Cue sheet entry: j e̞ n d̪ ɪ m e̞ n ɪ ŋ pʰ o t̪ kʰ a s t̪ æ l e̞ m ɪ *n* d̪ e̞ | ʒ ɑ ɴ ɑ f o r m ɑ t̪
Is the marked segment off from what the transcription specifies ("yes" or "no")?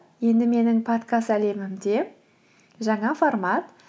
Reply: yes